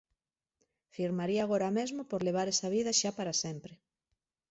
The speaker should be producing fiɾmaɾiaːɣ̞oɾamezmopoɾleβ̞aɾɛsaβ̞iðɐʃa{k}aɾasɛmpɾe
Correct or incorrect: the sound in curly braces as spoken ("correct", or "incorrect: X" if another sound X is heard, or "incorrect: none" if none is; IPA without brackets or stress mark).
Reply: incorrect: p